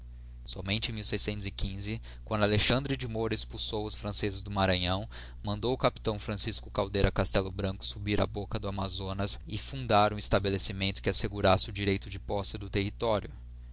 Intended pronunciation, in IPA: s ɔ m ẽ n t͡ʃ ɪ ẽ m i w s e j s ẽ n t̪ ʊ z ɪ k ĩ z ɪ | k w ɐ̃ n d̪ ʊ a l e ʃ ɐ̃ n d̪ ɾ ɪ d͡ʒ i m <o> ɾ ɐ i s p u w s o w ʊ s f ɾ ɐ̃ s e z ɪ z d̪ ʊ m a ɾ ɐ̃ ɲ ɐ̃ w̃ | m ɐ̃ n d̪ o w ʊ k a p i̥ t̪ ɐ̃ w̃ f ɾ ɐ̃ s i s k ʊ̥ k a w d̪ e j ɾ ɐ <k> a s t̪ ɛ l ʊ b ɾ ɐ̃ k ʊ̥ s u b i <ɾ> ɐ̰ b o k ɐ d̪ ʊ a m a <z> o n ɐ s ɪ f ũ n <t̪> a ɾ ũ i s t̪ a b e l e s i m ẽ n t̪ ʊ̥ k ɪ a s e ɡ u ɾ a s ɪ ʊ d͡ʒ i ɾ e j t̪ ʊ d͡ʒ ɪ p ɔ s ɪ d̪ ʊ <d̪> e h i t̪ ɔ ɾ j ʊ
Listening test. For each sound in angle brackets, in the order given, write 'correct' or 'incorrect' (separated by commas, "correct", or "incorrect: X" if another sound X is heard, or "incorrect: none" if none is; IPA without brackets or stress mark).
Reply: correct, correct, correct, correct, incorrect: d̪, incorrect: t̪